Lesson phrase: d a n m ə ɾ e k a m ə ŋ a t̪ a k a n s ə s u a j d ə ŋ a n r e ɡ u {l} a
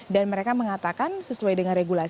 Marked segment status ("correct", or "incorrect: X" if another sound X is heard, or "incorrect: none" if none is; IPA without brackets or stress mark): correct